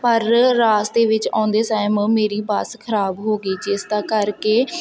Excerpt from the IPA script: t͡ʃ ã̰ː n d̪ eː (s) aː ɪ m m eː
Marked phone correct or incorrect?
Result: correct